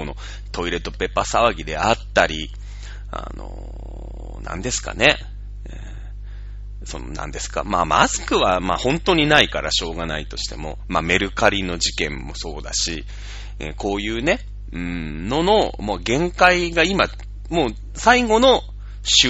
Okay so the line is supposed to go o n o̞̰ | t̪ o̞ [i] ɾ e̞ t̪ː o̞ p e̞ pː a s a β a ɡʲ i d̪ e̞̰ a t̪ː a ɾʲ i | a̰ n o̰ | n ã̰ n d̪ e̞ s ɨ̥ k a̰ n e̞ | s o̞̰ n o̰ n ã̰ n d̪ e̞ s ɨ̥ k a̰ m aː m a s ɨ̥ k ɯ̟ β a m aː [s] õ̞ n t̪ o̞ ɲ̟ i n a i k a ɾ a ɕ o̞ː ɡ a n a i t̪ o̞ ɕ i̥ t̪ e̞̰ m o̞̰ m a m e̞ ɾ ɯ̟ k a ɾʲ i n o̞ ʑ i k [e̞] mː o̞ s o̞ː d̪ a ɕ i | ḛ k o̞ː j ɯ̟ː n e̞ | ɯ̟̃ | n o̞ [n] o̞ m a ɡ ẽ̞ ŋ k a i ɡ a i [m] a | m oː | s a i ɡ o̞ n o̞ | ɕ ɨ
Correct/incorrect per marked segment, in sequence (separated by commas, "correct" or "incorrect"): correct, incorrect, incorrect, correct, correct